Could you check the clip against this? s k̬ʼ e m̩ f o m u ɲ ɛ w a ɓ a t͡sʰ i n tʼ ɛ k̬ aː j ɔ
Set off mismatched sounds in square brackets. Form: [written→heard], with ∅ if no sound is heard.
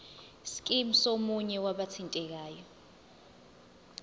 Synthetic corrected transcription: s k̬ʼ [e→i] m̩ [f→s] o m u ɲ ɛ w a ɓ a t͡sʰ i n tʼ ɛ k̬ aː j ɔ